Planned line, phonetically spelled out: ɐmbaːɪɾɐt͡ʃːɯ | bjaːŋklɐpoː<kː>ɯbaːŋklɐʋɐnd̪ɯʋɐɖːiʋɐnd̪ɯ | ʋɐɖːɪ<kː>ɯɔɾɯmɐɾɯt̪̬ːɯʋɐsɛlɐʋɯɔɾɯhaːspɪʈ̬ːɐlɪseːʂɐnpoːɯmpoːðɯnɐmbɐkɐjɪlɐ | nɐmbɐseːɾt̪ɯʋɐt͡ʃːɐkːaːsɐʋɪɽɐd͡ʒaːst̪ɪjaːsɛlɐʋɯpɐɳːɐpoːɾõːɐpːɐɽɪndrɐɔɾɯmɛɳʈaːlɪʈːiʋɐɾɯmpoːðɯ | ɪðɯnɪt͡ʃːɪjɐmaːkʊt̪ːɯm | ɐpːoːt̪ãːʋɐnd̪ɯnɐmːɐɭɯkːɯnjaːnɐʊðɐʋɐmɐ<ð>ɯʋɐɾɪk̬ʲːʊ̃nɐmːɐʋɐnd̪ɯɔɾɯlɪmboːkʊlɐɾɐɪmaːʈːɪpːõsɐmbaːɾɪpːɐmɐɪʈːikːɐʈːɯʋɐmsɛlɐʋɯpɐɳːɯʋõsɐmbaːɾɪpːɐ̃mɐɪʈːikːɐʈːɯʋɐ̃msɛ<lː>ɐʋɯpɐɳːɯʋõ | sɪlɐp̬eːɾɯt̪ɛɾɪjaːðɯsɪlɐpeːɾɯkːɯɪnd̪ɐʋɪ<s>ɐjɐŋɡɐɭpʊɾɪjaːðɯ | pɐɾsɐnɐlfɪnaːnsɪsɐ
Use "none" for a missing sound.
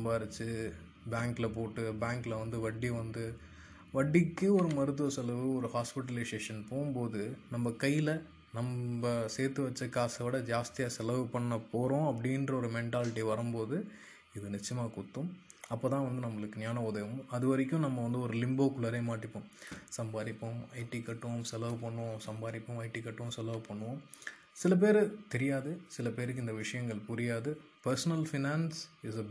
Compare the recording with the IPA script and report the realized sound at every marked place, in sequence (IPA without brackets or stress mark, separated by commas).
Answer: ʈː, kː, ð, l, ʂ